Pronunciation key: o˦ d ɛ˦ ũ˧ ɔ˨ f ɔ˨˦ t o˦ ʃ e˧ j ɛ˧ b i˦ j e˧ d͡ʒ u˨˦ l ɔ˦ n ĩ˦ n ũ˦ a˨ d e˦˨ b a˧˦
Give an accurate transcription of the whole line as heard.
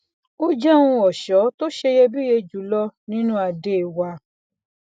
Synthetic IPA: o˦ d͡ʒ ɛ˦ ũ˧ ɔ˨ ʃ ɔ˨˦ t o˦ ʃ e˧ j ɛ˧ b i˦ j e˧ d͡ʒ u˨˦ l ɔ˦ n ĩ˦ n ũ˦ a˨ d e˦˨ w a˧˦